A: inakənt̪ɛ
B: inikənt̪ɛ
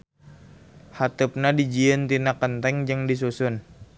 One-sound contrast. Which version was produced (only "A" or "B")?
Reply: A